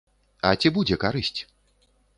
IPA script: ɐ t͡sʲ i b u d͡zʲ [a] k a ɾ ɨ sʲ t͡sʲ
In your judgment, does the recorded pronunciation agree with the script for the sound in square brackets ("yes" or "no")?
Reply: no